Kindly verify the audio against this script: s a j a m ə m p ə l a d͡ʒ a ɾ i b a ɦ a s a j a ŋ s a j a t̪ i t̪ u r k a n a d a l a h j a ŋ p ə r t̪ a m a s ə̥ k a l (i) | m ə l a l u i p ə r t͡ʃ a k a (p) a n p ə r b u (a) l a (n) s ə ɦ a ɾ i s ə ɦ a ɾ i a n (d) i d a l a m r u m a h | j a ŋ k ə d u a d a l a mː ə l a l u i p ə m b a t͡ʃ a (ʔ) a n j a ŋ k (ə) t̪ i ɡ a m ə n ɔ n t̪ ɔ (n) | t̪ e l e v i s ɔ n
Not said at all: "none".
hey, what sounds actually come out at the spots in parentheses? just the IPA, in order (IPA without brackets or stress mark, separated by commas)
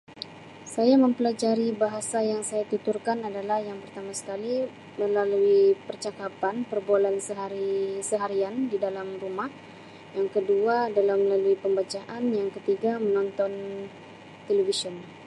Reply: i, p, a, n, d, ʔ, ə, n